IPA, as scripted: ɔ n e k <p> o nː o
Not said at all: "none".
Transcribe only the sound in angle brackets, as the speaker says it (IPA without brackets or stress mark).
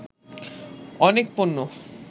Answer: p